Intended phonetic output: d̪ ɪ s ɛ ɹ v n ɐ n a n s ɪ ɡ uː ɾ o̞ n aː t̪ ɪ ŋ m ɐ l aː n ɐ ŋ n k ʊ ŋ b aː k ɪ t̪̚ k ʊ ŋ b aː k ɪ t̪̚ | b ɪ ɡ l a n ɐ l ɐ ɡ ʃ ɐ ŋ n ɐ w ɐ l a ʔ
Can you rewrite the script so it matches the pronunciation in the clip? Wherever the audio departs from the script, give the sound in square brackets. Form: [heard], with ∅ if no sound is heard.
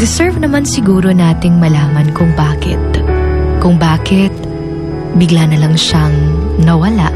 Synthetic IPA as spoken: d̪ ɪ s ɛ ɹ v n ɐ [m] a n s ɪ ɡ uː ɾ o̞ n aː t̪ ɪ ŋ m ɐ l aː [m] ɐ [∅] n k ʊ ŋ b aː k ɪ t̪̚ k ʊ ŋ b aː k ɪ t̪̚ | b ɪ ɡ l a n ɐ l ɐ [ŋ] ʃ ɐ ŋ n ɐ w ɐ l a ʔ